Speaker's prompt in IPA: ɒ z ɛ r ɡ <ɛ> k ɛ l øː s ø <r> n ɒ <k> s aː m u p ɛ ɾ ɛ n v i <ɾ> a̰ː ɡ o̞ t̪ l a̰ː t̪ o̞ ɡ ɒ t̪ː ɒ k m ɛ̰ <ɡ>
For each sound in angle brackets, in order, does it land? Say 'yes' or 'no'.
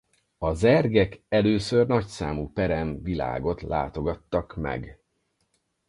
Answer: yes, yes, no, no, yes

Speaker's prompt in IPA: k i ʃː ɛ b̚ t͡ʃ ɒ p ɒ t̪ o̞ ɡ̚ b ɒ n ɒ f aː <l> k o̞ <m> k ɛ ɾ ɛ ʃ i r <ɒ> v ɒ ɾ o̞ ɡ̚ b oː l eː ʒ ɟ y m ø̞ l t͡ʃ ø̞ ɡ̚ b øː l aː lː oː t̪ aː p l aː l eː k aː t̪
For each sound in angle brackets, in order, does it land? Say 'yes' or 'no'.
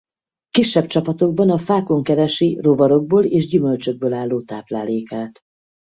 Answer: no, no, no

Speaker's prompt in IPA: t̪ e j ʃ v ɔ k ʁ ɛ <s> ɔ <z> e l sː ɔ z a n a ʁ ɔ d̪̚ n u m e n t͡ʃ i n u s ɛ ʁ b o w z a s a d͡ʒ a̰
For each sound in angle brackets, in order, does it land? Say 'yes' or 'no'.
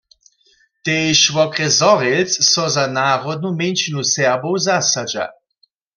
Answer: no, no

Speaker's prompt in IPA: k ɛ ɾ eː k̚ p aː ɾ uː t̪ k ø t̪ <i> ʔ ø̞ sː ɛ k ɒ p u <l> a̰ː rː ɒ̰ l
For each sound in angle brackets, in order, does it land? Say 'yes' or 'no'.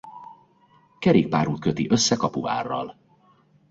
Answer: yes, no

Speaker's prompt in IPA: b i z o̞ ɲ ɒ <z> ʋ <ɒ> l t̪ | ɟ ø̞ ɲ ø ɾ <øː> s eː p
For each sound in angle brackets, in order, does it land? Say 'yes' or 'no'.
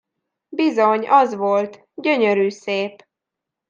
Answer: yes, no, no

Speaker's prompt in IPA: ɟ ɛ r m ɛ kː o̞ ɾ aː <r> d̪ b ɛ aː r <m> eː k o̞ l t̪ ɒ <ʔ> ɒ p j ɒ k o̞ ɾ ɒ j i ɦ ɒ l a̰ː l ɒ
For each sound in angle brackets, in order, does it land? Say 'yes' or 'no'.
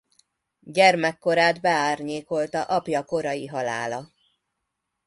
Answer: no, no, yes

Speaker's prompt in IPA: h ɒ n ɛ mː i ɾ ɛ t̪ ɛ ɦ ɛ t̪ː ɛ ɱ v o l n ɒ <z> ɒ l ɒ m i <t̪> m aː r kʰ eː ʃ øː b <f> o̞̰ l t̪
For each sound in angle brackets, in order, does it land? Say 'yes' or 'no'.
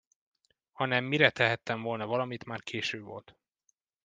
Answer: no, yes, no

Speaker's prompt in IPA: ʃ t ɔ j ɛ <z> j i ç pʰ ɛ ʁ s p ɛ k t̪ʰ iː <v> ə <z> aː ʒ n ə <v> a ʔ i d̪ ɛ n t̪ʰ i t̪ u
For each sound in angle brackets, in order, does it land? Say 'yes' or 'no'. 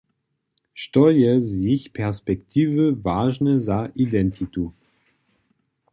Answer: yes, yes, no, no

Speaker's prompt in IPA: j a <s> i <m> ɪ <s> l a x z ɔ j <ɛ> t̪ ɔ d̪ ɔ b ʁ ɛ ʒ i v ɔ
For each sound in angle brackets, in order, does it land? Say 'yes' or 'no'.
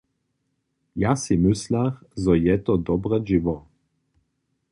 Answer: yes, yes, yes, yes

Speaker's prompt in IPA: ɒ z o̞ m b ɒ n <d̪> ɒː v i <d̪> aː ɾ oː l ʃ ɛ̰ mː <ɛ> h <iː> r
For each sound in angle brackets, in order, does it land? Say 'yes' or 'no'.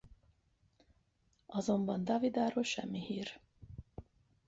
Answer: yes, yes, no, yes

